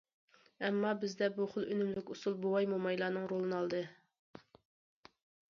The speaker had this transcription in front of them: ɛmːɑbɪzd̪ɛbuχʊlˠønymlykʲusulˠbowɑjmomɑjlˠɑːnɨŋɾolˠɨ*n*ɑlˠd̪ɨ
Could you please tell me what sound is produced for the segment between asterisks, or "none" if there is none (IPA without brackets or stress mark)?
n